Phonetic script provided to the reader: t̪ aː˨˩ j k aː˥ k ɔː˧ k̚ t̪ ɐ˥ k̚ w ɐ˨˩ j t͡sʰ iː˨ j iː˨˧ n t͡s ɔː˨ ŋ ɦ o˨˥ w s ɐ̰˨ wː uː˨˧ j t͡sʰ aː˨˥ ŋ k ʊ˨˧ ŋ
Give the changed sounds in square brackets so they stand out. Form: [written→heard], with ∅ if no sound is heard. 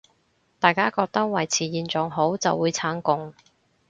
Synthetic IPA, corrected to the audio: t̪ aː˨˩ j k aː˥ k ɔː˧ k̚ t̪ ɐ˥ k̚ w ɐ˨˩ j t͡sʰ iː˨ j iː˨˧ n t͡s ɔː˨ ŋ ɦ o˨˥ w [s→t͡s] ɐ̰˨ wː uː˨˧ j t͡sʰ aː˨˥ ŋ k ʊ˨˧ ŋ

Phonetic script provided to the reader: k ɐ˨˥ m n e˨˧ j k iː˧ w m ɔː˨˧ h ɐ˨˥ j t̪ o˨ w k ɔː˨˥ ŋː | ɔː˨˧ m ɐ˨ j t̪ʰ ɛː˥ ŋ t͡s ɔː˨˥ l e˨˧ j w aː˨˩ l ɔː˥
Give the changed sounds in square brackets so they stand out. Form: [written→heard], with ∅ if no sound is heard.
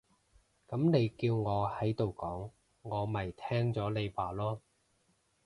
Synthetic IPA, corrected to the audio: k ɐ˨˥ m n e˨˧ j k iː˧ w [m→ŋ] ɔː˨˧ h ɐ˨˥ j t̪ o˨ w k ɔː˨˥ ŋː | ɔː˨˧ m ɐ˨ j t̪ʰ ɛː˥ ŋ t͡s ɔː˨˥ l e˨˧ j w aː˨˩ l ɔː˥

